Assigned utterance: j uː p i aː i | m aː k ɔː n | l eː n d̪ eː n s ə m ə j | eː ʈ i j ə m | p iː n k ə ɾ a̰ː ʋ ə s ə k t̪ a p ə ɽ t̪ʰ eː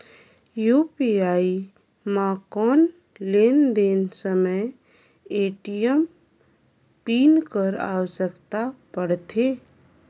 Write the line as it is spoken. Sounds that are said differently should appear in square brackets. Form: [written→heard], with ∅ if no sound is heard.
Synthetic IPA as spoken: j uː p i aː i | m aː k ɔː n | l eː n d̪ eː n s ə m ə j | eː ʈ i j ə m | p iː n k ə ɾ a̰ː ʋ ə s ə k t̪ a p ə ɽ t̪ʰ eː